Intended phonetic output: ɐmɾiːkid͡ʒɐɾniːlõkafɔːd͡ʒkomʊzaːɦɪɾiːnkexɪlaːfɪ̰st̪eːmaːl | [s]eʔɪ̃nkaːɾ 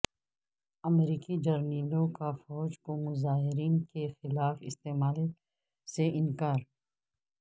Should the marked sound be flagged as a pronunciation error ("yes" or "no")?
no